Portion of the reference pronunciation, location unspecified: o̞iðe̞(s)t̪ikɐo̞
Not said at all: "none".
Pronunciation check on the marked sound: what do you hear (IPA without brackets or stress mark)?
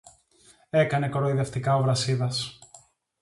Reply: f